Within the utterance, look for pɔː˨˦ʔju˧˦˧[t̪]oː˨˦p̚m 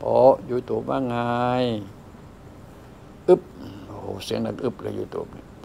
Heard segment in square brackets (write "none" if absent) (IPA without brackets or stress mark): t̪